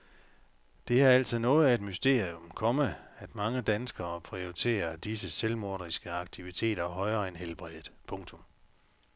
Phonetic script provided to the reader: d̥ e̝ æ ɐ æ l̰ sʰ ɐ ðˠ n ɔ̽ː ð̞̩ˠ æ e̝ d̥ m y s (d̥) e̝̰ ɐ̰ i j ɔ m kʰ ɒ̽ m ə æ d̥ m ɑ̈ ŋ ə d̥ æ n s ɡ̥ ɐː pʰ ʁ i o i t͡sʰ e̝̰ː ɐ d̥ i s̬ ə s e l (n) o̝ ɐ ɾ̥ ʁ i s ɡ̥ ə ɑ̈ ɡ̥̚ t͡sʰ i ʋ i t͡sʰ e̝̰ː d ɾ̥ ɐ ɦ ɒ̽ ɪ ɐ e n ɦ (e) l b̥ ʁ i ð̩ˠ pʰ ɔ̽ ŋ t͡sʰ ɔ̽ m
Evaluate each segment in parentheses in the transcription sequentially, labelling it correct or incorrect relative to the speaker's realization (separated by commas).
correct, incorrect, correct